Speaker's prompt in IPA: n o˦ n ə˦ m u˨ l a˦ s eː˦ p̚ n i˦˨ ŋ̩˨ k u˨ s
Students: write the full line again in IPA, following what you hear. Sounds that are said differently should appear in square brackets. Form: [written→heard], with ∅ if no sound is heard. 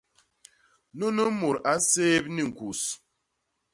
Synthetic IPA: n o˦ n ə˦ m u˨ [l→ɾ] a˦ s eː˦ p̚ n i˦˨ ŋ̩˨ k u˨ s

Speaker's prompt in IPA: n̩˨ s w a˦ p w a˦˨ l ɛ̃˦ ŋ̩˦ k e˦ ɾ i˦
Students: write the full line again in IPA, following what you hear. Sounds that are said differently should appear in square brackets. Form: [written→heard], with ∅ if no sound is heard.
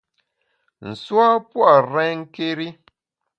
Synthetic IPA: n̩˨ s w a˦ p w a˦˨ [l→ɾ] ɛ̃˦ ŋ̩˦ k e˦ ɾ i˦

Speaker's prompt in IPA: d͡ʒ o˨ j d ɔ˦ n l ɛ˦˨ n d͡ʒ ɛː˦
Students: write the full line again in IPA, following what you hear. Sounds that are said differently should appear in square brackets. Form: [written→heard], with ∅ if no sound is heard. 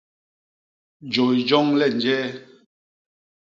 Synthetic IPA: d͡ʒ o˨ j [d→d͡ʒ] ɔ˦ [n→ŋ] l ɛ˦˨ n d͡ʒ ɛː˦

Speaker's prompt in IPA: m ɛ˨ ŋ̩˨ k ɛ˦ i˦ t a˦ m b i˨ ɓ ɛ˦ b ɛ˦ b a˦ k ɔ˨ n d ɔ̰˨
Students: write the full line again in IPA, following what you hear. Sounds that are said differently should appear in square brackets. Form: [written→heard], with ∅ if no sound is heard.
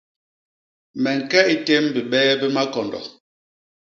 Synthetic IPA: m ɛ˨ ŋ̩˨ k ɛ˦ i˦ t [a˦→e˦] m b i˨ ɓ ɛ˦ b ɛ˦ [b→m] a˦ k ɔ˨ n d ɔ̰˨

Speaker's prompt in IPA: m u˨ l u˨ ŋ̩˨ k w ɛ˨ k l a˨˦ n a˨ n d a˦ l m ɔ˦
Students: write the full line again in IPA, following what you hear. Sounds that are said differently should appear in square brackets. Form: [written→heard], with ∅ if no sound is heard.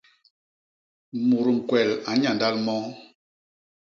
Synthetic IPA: m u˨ [l→ɾ] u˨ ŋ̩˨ k w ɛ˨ [k→∅] l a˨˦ [n→ɲ] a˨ n d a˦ l m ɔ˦

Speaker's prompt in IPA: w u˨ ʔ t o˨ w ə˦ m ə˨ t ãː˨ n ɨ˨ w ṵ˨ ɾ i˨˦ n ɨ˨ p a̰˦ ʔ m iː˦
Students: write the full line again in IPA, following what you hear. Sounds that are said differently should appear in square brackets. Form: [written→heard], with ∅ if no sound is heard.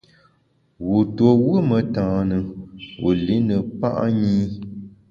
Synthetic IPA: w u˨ [ʔ→∅] t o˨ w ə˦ m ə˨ t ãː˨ n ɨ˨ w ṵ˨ [ɾ→l] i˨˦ n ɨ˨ p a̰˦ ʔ [m→ɲ] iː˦

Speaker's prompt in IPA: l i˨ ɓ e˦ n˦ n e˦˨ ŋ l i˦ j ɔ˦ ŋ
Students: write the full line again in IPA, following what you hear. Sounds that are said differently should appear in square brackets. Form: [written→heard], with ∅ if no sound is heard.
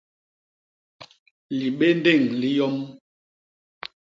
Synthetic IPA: l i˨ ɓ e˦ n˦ [n→d] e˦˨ ŋ l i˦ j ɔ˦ [ŋ→m]

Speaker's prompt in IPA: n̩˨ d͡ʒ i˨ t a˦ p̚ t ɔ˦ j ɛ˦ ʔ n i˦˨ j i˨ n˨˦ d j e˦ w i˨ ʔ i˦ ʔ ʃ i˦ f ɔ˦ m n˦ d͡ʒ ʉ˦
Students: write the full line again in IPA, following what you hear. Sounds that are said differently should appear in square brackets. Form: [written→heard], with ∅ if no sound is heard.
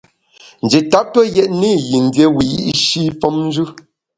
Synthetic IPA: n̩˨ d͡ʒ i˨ t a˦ p̚ t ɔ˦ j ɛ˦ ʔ n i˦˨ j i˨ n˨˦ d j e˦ w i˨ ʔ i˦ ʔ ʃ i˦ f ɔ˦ m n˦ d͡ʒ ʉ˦

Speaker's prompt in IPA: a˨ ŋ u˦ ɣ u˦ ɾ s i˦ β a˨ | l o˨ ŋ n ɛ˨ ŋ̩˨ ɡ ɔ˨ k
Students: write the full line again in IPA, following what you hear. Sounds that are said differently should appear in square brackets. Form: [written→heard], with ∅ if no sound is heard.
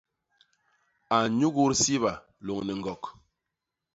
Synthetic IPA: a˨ [ŋ→ɲ] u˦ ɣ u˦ ɾ s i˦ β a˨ | l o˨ ŋ n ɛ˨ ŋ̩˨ ɡ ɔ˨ k

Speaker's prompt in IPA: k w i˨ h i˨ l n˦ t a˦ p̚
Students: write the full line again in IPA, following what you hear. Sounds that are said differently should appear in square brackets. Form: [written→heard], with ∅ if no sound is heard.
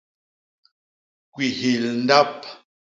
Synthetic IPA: k w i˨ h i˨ l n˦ [t→d] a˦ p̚

